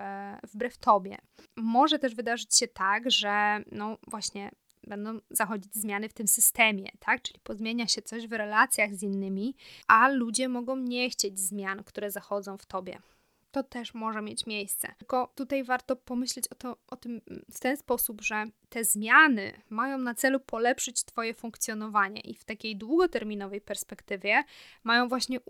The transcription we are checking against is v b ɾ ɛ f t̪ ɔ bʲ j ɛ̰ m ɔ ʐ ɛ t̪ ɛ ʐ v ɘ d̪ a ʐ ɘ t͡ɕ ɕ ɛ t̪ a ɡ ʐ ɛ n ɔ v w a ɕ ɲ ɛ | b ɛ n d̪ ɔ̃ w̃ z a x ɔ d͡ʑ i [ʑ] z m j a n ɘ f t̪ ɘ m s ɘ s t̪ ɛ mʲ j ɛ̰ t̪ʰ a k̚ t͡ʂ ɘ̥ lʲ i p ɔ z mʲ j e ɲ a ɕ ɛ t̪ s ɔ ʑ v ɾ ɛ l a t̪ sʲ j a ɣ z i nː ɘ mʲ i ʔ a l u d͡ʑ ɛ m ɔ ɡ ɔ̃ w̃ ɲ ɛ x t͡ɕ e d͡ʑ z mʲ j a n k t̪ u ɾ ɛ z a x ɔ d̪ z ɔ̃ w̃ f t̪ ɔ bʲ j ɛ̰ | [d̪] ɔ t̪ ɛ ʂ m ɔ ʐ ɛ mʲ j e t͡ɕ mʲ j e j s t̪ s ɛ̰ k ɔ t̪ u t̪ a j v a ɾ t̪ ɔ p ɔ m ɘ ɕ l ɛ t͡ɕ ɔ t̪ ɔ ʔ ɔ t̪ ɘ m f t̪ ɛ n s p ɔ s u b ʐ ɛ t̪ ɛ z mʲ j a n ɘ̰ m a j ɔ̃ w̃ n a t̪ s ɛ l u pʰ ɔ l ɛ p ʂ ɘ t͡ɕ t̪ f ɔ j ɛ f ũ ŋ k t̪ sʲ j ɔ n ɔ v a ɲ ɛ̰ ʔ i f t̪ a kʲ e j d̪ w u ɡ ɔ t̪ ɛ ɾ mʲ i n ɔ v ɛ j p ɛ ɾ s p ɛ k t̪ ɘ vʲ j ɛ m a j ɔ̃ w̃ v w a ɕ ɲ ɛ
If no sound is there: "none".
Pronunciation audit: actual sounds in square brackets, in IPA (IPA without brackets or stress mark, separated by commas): d͡ʑ, t̪